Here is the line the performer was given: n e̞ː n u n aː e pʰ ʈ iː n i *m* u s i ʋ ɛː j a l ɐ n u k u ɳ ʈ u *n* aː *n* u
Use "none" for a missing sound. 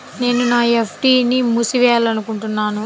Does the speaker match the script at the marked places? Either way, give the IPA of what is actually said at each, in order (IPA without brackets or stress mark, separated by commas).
m, nː, n